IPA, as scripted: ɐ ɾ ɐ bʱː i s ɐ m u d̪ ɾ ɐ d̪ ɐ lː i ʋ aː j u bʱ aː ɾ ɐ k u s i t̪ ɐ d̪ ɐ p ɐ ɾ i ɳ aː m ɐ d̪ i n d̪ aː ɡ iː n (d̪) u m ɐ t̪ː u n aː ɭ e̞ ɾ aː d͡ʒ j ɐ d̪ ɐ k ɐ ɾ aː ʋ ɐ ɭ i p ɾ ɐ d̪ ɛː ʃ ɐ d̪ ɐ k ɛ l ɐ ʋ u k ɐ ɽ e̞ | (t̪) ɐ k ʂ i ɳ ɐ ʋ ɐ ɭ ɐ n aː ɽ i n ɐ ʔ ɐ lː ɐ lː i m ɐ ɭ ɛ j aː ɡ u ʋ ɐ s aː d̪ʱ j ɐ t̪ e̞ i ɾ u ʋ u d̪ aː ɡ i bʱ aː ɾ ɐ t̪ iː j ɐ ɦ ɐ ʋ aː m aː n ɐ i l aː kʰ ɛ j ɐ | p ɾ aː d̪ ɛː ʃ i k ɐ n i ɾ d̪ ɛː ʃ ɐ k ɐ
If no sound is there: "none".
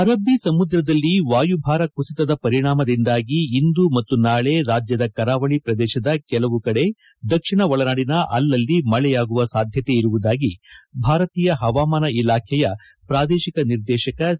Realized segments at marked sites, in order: d̪, d̪

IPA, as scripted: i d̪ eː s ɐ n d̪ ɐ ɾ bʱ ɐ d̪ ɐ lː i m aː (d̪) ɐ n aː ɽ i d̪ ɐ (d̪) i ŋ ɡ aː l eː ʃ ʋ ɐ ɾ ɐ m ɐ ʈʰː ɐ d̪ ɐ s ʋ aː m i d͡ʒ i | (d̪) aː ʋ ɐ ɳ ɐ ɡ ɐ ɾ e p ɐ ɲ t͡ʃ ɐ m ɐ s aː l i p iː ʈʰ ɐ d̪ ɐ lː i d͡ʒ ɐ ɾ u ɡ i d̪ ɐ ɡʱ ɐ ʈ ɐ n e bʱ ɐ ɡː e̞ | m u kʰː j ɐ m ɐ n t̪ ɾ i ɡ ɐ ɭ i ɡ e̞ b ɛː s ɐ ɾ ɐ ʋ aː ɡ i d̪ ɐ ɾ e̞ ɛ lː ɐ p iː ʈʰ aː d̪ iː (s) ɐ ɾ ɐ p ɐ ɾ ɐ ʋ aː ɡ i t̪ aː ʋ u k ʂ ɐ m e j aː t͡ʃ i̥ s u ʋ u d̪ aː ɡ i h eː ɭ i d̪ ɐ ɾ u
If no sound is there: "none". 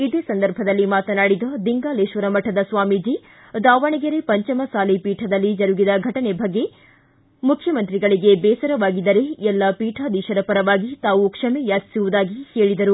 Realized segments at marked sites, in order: t̪, d̪, d̪, ʃ

